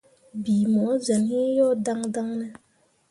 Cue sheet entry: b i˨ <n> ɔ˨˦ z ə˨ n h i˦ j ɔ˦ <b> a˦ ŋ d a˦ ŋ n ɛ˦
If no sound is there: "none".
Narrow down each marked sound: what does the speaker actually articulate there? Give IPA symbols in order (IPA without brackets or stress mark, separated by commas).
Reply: m, d